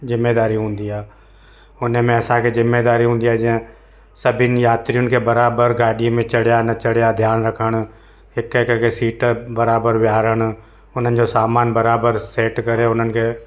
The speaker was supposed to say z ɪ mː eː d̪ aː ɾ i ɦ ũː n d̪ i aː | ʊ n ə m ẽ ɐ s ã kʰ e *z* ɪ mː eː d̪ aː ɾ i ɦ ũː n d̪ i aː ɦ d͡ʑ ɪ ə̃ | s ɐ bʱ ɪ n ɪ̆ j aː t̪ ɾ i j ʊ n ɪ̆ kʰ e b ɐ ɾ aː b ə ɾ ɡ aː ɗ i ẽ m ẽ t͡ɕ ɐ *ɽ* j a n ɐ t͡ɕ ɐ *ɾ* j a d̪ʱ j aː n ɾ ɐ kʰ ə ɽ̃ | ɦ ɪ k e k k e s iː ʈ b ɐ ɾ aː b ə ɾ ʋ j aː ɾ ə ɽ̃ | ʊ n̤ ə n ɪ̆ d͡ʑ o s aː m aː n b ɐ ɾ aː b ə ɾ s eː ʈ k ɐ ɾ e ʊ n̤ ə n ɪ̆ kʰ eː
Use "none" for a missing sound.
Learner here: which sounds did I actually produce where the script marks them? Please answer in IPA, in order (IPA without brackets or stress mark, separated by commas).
z, ɽ, ɽ